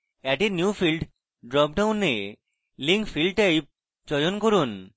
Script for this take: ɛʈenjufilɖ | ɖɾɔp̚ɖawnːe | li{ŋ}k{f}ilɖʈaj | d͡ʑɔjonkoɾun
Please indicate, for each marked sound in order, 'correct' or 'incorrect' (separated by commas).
correct, correct